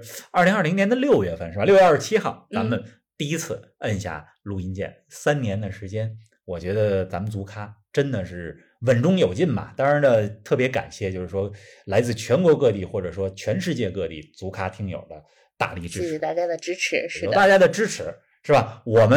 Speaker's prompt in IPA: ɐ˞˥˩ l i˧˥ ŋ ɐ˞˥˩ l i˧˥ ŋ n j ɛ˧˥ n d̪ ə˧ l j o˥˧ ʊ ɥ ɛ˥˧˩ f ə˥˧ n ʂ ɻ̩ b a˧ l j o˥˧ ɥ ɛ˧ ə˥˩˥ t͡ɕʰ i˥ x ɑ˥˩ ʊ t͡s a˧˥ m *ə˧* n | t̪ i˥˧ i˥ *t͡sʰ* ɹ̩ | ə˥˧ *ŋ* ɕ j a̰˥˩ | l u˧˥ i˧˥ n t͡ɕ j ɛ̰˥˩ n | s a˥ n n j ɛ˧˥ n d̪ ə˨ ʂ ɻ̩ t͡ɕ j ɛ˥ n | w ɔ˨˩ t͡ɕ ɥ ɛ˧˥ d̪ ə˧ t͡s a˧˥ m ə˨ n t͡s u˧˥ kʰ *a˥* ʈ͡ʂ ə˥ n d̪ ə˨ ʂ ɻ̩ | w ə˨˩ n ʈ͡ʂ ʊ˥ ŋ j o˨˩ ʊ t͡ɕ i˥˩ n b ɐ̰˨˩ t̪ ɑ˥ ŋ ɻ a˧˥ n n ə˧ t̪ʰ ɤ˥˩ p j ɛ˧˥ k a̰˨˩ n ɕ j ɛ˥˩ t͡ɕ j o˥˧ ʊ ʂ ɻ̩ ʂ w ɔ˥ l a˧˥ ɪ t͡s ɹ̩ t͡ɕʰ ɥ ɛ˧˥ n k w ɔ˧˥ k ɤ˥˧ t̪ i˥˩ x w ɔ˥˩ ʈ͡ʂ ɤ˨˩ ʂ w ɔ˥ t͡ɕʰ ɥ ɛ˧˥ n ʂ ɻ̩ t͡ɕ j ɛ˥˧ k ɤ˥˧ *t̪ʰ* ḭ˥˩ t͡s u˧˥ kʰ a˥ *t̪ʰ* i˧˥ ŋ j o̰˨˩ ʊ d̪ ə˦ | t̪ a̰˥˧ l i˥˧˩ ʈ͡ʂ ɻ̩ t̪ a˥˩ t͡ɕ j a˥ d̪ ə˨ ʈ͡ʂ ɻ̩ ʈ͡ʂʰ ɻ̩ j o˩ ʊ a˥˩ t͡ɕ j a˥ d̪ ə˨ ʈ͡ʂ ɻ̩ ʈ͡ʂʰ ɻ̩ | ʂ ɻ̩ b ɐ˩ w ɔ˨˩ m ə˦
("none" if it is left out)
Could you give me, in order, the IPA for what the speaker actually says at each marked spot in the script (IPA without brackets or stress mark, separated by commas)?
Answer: ə˧, t͡sʰ, n, a˥, t̪, t̪ʰ